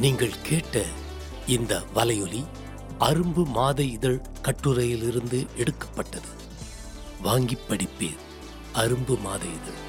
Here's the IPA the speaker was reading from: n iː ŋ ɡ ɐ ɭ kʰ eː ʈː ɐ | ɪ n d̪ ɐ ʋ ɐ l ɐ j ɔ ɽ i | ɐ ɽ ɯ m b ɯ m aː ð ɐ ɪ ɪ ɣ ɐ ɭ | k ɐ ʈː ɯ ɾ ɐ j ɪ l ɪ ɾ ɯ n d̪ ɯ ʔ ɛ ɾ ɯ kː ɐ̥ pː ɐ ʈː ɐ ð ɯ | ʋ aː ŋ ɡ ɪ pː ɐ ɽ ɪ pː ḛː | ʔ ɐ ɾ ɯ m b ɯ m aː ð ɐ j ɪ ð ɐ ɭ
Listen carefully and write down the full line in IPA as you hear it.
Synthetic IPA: n iː ŋ ɡ ɐ ɭ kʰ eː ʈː ɐ | ɪ n d̪ ɐ ʋ ɐ l ɐ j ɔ l i | ɐ ɾ ɯ m b ɯ m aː ð ɐ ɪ ɪ ð ɐ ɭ | k ɐ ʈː ɯ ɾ ɐ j ɪ l ɪ ɾ ɯ n d̪ ɯ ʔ ɛ ɽ ɯ kː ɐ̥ pː ɐ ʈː ɐ ð ɯ | ʋ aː ŋ ɡ ɪ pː ɐ ɽ ɪ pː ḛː | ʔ ɐ ɾ ɯ m b ɯ m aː ð ɐ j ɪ ð ɐ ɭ